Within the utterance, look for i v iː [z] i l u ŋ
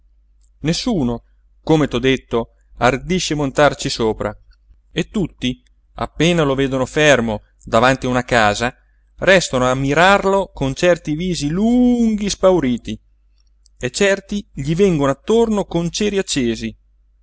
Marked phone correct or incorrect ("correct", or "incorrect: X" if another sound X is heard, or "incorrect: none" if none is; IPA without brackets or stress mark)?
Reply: correct